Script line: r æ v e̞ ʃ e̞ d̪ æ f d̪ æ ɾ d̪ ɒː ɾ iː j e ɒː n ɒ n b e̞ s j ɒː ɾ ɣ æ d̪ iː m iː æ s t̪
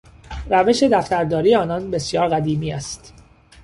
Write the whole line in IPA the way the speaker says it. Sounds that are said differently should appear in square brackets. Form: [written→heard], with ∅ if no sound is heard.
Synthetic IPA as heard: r æ v e̞ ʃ e̞ d̪ æ f [d̪→t̪] æ ɾ d̪ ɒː ɾ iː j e ɒː n ɒ n b e̞ s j ɒː ɾ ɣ æ d̪ iː m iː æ s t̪